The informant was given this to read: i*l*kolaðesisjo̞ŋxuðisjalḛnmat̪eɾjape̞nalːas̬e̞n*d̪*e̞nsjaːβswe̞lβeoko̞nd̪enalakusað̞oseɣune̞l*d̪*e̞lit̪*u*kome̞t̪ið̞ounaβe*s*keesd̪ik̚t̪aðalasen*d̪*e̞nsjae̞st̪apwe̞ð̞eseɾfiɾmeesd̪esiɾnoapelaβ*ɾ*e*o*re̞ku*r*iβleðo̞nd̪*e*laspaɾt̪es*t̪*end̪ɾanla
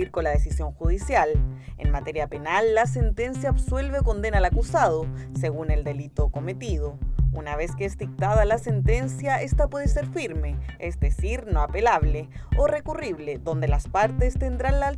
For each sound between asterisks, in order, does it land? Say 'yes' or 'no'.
no, no, yes, no, yes, no, no, yes, yes, yes, yes

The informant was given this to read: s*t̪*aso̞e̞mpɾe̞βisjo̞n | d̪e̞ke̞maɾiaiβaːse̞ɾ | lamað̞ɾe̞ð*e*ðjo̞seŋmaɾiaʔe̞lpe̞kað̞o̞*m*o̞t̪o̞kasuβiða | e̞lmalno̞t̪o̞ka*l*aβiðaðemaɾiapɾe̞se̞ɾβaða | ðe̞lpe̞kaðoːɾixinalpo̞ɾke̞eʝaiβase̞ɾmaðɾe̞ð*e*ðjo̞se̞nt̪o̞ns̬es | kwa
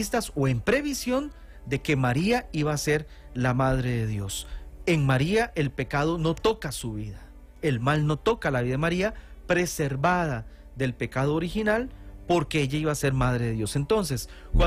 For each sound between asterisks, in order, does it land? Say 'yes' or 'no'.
yes, yes, no, yes, yes

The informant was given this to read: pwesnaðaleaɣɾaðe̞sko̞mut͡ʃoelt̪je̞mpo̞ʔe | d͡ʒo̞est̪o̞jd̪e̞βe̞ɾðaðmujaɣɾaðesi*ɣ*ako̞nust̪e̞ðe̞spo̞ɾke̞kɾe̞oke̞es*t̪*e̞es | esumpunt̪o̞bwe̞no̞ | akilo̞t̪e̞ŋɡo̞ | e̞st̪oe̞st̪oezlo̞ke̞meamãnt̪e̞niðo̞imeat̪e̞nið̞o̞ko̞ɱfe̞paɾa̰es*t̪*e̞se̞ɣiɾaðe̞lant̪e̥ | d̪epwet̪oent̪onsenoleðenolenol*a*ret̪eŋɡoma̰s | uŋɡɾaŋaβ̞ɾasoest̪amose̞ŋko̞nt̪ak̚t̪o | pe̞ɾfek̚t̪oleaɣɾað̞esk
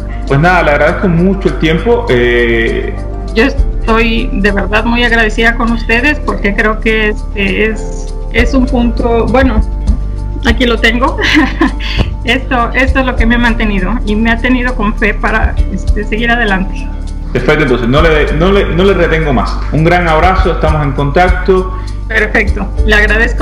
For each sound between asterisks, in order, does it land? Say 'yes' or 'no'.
no, yes, yes, no

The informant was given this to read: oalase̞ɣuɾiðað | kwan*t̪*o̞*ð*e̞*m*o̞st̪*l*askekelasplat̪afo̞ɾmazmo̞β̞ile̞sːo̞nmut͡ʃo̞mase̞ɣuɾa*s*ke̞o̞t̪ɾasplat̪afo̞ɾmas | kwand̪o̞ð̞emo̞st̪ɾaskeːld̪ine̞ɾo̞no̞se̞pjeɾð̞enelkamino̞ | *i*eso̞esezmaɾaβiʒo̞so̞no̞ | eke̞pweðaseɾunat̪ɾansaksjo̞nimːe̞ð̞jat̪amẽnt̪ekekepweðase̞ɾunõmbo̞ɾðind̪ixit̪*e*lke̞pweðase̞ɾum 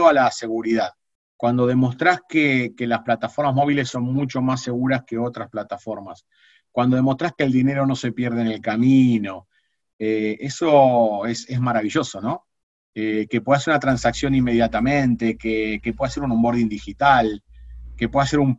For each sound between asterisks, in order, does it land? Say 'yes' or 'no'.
no, yes, yes, no, yes, no, no

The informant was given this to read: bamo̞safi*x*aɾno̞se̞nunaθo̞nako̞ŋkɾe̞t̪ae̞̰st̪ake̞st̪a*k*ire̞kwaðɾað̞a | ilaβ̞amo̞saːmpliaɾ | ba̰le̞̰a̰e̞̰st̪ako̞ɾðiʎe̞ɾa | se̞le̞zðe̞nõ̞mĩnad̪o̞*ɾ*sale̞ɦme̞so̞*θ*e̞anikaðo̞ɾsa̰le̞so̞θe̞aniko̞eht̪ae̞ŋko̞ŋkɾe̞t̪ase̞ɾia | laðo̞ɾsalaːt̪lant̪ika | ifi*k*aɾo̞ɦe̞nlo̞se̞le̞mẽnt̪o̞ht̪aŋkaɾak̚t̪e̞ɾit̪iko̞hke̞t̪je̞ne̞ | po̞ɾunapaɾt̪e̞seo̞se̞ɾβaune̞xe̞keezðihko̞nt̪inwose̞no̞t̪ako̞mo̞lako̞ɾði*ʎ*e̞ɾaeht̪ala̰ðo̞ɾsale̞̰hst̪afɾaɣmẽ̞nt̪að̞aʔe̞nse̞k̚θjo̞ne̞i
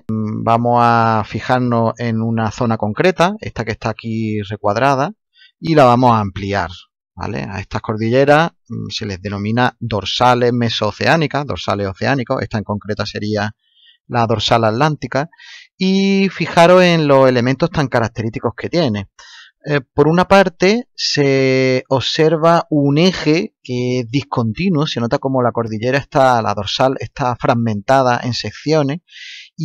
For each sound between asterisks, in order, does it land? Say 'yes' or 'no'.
yes, yes, yes, yes, no, yes

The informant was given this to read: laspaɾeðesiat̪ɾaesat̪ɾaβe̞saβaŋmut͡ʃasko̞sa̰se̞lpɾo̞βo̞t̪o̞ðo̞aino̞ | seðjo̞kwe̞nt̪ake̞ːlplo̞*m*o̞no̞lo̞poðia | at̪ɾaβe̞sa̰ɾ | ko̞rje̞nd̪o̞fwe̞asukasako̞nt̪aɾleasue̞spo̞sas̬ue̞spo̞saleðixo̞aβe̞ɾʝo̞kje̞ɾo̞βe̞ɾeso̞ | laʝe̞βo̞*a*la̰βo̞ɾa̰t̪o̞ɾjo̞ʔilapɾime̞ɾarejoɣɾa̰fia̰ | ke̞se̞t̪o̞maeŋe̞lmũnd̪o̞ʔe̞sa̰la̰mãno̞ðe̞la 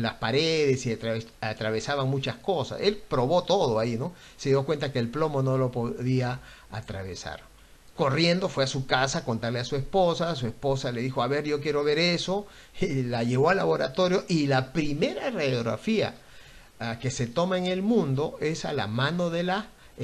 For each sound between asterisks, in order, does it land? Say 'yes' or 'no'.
yes, yes

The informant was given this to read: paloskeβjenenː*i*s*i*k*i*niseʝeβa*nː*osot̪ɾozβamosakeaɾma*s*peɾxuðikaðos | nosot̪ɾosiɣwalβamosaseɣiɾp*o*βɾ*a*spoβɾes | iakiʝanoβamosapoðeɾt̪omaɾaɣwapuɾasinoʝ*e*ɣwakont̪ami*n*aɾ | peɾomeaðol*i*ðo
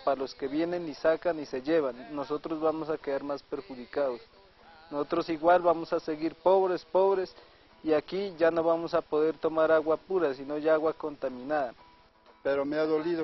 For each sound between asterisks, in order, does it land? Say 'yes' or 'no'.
yes, no, no, yes, yes, yes, no, no, yes, yes

